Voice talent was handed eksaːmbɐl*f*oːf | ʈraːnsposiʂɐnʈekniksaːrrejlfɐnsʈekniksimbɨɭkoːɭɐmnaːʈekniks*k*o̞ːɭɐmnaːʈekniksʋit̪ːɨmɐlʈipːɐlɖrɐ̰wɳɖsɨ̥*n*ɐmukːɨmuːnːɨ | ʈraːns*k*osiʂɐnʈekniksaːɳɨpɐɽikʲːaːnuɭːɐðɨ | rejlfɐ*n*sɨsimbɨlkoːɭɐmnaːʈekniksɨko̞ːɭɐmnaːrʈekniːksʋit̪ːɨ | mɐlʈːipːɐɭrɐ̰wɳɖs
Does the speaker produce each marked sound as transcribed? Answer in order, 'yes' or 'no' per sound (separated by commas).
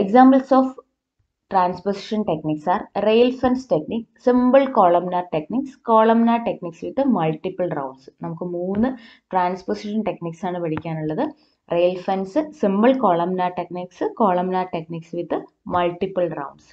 no, yes, yes, no, yes